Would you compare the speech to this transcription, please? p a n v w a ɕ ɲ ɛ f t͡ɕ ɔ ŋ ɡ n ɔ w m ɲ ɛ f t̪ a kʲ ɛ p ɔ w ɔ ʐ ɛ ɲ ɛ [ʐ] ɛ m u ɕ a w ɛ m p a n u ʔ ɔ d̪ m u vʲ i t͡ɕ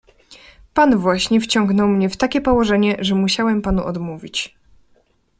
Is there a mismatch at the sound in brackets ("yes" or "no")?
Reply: no